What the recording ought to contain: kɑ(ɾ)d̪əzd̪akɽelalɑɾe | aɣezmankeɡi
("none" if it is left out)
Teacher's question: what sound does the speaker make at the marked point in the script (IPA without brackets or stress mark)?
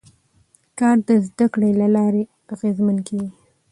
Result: ɾ